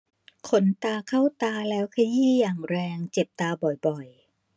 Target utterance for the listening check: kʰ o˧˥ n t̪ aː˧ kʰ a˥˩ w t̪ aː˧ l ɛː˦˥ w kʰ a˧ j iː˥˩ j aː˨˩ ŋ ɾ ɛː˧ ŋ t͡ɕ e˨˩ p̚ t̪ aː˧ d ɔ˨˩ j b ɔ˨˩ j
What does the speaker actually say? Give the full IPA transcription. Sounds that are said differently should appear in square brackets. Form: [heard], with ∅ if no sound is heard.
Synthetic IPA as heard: kʰ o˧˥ n t̪ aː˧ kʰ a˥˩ w t̪ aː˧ l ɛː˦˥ w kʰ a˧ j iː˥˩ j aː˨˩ ŋ ɾ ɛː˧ ŋ t͡ɕ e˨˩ p̚ t̪ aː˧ [b] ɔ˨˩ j b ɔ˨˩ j